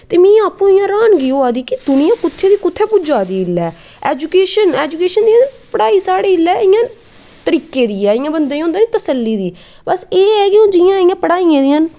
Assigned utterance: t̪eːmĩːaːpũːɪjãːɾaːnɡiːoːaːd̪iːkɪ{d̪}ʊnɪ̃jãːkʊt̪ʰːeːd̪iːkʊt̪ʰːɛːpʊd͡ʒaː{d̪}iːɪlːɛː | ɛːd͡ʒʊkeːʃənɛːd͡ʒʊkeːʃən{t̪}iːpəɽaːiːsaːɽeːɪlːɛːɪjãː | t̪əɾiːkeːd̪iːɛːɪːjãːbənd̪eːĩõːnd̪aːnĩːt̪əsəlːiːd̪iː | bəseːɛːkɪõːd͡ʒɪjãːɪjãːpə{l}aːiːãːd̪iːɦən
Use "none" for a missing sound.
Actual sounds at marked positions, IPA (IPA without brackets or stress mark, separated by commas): d̪, d̪, d̪, ɽ